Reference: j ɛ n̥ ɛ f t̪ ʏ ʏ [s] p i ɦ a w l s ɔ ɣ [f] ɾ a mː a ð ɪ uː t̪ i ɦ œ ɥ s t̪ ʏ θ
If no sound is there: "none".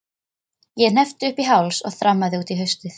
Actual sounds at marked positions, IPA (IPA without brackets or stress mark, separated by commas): h, θ